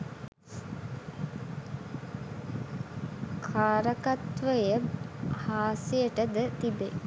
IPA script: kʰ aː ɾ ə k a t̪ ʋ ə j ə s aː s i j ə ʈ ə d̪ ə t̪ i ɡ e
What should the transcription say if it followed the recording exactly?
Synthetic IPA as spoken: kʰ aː ɾ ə k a t̪ ʋ ə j ə h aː s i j ə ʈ ə d̪ ə t̪ i b e